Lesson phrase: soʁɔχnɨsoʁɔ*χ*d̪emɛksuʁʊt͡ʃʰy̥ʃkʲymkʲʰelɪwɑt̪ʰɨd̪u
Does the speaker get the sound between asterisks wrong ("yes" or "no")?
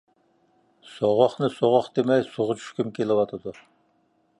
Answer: no